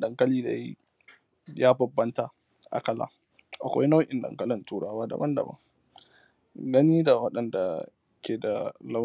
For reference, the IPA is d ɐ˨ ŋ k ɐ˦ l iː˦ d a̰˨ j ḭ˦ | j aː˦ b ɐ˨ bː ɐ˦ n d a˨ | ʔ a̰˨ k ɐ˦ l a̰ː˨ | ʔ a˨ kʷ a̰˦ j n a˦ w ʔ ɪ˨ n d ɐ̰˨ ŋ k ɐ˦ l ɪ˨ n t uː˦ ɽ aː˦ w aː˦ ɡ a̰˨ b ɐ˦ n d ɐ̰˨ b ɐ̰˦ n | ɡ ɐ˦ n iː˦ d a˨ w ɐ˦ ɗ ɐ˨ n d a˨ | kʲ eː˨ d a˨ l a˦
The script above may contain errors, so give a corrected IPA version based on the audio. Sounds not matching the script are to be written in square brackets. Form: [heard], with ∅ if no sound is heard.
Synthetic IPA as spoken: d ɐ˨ ŋ k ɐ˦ l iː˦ d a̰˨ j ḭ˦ | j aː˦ b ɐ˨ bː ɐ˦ n [t] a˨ | ʔ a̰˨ k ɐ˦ l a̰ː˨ | ʔ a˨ kʷ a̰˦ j n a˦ w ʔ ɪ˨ n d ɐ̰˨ ŋ k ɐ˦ l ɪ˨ n t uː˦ ɽ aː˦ w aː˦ [d] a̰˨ b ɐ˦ n d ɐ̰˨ b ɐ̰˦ [ŋ] | ɡ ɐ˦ n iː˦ d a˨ w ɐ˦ ɗ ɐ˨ n d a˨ | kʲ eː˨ d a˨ l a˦